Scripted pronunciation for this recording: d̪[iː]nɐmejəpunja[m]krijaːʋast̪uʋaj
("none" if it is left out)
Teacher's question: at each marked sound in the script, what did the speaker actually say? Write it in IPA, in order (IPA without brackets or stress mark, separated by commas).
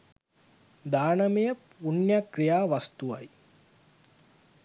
aː, none